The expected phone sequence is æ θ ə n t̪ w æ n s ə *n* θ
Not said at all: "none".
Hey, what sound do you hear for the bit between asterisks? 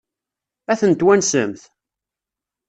m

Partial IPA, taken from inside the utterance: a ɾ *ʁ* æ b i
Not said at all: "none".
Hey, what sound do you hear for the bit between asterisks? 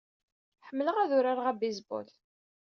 ʁ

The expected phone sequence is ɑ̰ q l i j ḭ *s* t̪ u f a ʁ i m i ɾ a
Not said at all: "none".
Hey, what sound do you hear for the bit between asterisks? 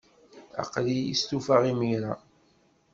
s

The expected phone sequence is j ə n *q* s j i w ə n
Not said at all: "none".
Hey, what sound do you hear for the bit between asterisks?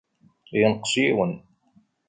q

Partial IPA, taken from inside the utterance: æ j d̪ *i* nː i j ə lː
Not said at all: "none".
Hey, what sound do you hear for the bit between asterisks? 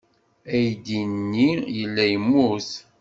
i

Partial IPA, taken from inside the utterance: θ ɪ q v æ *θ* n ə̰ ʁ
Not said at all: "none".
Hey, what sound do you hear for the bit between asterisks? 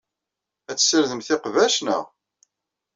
ʃ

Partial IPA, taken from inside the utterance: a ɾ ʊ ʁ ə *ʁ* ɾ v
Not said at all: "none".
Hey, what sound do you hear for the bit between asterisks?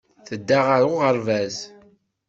none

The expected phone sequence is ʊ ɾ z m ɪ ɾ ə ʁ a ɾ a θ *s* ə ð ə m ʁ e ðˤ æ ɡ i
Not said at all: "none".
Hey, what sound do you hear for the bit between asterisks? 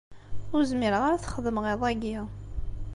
χ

